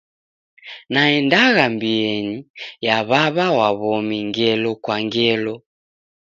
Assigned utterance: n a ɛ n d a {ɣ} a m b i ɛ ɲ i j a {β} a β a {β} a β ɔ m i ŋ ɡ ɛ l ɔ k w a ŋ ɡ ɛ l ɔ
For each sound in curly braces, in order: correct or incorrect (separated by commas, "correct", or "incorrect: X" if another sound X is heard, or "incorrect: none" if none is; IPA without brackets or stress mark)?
correct, correct, incorrect: w